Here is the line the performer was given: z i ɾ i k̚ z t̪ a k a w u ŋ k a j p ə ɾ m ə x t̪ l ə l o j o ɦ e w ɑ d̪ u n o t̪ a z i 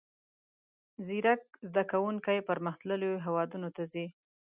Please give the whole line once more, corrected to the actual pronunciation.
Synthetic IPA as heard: z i ɾ a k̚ z d̪ a k a w u ŋ k a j p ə ɾ m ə x t̪ l ə l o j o ɦ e w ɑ d̪ u n o t̪ a z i